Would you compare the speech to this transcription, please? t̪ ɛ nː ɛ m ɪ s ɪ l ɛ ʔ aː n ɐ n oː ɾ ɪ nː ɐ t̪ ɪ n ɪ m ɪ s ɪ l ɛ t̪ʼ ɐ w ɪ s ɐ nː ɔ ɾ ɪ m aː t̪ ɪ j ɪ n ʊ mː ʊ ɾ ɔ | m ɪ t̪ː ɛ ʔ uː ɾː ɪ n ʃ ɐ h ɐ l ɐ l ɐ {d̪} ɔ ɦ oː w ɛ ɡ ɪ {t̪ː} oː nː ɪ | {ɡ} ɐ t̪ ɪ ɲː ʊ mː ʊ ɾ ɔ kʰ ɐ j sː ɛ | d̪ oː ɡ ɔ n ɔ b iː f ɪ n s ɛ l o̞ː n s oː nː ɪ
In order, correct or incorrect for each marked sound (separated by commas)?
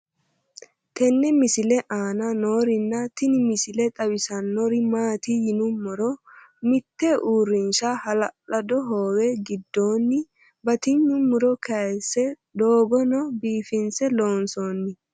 correct, incorrect, incorrect